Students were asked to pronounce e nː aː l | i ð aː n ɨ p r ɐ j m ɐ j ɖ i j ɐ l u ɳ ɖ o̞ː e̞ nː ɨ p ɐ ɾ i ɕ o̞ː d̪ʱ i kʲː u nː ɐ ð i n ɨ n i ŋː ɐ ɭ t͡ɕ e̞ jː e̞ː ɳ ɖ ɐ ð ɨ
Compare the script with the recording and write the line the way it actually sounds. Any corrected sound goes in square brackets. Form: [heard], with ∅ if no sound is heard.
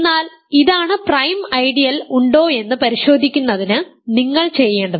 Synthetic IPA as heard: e nː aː l | i ð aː [ɳ] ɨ p r ɐ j m ɐ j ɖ i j ɐ l u ɳ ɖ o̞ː e̞ nː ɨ p ɐ ɾ i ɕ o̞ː d̪ʱ i kʲː u nː ɐ ð i n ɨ n i ŋː ɐ ɭ t͡ɕ e̞ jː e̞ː ɳ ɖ ɐ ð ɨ